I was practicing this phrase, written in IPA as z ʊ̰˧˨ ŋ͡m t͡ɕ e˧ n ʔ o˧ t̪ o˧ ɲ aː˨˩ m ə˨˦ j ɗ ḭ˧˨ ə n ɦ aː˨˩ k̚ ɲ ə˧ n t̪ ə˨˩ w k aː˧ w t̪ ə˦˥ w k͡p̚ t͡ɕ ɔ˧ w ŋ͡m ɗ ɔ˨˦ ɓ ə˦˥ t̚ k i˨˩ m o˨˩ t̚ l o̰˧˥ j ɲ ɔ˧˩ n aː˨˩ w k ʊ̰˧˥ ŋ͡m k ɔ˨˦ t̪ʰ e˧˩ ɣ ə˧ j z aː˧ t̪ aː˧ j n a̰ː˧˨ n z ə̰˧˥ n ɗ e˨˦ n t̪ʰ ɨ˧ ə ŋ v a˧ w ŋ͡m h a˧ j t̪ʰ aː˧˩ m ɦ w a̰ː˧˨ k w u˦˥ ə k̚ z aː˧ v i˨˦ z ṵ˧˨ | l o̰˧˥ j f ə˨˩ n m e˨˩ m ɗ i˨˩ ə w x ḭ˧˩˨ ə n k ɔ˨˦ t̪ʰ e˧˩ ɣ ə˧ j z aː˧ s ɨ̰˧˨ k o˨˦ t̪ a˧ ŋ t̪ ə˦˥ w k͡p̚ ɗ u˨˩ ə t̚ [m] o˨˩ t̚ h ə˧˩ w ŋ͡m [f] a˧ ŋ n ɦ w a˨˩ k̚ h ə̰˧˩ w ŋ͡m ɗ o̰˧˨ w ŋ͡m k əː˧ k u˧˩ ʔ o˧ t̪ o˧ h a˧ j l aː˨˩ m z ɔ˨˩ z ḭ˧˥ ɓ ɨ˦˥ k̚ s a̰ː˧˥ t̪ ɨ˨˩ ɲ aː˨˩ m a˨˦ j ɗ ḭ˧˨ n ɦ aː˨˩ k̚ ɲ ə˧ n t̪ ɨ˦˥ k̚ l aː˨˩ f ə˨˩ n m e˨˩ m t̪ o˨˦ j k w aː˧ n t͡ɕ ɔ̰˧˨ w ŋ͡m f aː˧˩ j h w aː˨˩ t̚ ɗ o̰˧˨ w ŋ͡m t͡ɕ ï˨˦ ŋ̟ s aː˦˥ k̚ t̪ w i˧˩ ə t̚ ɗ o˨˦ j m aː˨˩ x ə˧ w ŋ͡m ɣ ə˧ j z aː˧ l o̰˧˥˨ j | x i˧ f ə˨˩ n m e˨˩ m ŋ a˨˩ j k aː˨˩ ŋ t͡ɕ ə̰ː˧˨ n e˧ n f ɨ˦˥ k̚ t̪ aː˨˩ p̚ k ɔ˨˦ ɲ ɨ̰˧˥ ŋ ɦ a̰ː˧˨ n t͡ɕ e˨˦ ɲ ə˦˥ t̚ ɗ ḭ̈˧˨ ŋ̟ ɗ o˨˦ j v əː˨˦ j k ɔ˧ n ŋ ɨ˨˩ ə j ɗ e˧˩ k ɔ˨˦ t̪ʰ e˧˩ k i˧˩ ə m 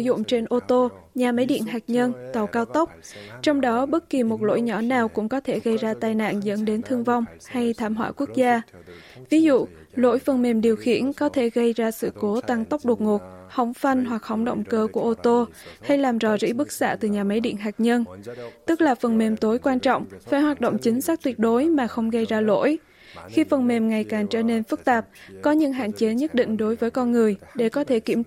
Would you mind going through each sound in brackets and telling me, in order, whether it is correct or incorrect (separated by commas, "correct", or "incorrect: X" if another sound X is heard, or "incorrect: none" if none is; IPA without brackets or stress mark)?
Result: incorrect: ŋ, correct